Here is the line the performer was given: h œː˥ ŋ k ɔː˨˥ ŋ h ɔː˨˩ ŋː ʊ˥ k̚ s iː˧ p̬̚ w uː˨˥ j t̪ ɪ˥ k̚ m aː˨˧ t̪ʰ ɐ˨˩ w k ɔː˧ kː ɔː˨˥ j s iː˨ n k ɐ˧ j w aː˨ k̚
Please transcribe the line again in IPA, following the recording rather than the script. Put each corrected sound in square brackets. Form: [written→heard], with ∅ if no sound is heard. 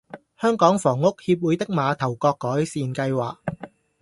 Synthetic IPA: h œː˥ ŋ k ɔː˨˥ ŋ [h→f] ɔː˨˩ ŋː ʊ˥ k̚ [s→h] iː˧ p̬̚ w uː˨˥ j t̪ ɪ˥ k̚ m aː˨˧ t̪ʰ ɐ˨˩ w k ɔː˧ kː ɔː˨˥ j s iː˨ n k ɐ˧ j w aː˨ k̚